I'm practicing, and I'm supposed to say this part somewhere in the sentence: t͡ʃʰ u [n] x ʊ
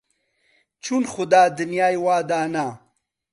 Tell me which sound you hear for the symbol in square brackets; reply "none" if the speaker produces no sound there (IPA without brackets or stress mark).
n